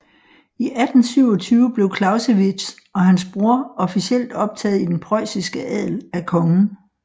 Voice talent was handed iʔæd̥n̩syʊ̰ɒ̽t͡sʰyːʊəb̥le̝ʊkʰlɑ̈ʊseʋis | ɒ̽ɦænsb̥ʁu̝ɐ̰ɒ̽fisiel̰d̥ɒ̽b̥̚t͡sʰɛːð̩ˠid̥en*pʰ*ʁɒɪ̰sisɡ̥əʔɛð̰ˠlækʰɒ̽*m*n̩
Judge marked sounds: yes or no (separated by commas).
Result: yes, no